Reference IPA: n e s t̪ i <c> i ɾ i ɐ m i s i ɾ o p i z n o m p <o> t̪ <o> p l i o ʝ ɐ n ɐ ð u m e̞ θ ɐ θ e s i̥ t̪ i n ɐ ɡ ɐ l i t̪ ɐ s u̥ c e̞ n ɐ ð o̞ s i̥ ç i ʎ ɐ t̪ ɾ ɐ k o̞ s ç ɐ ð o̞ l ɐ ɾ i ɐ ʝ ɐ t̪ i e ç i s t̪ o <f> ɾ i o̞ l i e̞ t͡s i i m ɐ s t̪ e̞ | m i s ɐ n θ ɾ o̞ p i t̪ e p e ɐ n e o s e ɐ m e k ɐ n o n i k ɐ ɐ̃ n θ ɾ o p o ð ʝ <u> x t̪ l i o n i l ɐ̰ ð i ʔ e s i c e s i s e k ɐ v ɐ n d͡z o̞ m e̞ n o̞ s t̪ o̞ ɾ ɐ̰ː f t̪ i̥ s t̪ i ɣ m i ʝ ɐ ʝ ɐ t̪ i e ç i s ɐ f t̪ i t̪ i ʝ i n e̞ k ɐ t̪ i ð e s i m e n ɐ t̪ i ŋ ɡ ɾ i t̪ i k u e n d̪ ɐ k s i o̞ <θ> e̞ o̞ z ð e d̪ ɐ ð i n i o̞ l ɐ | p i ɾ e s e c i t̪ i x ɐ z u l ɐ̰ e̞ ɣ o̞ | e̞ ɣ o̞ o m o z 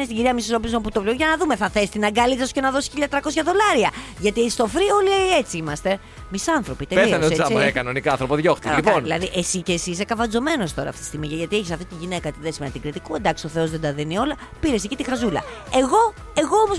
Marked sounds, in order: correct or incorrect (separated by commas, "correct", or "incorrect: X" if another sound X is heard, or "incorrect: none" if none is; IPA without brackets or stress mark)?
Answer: incorrect: ɟ, incorrect: u, correct, correct, incorrect: o, correct